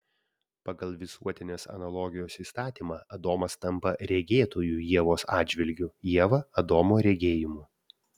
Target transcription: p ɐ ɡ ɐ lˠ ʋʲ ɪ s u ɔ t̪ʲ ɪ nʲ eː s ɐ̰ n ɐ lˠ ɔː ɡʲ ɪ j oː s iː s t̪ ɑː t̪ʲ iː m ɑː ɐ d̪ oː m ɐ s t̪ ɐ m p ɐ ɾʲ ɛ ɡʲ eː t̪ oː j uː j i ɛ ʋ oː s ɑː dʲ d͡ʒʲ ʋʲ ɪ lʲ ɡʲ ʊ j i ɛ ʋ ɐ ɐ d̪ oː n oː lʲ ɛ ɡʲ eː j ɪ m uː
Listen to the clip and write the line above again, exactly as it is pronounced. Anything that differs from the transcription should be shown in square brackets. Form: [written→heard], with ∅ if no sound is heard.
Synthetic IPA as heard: p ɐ ɡ ɐ lˠ ʋʲ ɪ s u ɔ t̪ʲ ɪ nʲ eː s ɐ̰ n ɐ lˠ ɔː ɡʲ ɪ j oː s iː s t̪ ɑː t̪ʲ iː m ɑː ɐ d̪ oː m ɐ s t̪ ɐ m p ɐ ɾʲ ɛ ɡʲ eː t̪ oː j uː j i ɛ ʋ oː s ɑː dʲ d͡ʒʲ ʋʲ ɪ lʲ ɡʲ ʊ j i ɛ ʋ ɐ ɐ d̪ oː [n→m] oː [lʲ→ɾʲ] ɛ ɡʲ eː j ɪ m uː